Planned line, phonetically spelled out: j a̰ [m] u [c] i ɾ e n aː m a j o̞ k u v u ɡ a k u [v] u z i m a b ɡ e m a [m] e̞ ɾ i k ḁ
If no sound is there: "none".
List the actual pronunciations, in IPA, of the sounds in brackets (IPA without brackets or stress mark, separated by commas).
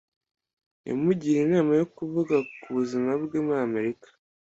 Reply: m, ɟ, β, m